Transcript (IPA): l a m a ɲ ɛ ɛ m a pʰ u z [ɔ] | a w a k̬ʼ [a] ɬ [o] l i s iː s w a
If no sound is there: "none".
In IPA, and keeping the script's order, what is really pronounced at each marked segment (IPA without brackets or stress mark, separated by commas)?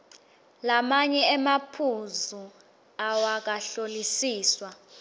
u, a, o